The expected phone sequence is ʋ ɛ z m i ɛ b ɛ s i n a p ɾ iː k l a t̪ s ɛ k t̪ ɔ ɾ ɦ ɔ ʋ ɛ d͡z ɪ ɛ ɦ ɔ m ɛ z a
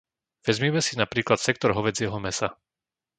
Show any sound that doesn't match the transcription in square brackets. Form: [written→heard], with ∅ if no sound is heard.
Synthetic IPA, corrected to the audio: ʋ ɛ z m i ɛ [b→m] ɛ s i n a p ɾ iː k l a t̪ s ɛ k t̪ ɔ ɾ ɦ ɔ ʋ ɛ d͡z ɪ ɛ ɦ ɔ m ɛ [z→s] a